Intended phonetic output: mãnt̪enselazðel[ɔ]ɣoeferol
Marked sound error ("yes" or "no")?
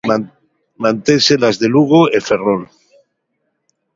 yes